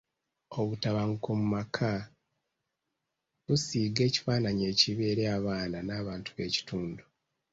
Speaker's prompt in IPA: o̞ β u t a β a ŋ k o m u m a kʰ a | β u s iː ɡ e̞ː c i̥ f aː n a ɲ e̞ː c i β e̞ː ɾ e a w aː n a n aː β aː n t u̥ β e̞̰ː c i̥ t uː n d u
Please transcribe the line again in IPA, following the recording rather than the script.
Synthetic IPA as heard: o̞ β u t a β a ŋ k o m u m a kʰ a | β u s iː ɡ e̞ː c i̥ f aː n a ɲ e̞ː c i β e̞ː ɾ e a β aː n a n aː β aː n t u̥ β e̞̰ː c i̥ t uː n d u